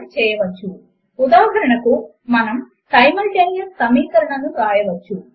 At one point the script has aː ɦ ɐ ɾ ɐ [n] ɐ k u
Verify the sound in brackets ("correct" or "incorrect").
incorrect